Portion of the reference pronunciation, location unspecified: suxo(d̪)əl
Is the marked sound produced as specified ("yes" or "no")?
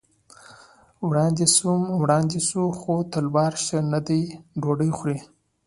no